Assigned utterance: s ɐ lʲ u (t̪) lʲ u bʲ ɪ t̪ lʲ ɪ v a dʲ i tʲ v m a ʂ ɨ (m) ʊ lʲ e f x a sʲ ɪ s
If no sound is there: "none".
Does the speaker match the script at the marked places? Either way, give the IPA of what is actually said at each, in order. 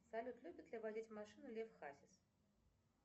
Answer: t̪, n

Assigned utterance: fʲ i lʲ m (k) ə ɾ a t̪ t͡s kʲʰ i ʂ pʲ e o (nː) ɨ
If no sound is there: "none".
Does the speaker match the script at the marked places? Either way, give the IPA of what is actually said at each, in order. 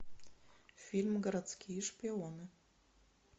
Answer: ɡ, n

